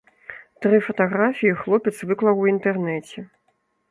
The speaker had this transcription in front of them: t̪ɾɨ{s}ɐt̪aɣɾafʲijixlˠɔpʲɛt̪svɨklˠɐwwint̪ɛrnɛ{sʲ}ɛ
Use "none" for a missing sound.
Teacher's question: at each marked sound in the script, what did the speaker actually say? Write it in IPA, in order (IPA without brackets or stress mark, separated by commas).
f, t͡sʲ